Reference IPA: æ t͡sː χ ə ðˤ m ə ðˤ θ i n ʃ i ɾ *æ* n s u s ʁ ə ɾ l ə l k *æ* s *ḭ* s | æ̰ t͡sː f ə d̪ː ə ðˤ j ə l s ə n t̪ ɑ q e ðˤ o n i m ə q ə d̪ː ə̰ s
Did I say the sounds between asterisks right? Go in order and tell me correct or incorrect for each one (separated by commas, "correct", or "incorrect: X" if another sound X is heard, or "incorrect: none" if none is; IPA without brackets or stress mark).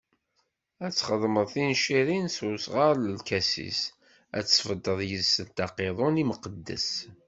incorrect: i, correct, correct